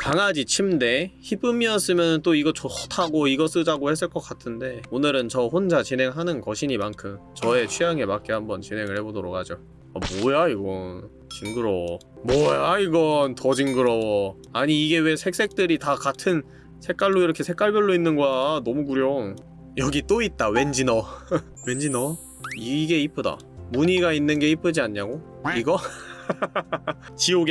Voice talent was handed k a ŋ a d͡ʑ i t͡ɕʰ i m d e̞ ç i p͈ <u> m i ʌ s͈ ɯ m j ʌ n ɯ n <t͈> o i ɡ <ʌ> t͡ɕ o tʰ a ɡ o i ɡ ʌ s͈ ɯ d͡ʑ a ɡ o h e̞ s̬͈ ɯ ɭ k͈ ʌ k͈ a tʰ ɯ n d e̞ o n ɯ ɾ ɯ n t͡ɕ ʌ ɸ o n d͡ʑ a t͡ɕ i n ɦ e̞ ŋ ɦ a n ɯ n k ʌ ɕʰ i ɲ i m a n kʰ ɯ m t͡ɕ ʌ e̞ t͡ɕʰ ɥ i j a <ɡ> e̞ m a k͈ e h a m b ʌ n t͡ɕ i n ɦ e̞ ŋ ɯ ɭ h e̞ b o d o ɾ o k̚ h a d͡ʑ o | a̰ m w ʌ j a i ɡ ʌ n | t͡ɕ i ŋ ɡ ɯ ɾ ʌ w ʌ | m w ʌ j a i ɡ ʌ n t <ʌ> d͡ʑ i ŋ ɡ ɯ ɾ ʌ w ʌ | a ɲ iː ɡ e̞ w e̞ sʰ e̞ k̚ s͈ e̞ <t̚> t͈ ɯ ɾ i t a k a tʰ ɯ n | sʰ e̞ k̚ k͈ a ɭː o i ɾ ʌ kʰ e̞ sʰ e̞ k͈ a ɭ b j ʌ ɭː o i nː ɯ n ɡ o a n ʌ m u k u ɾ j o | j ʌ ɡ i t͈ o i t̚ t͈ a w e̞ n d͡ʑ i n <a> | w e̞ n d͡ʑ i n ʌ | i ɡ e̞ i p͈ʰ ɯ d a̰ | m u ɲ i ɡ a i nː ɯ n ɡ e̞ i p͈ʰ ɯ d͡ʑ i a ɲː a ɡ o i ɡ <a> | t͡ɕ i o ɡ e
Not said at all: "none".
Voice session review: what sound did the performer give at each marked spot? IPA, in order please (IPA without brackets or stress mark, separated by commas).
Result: ɯ, t͈, ʌ, ŋ, ʌ, k̚, ʌ, ʌ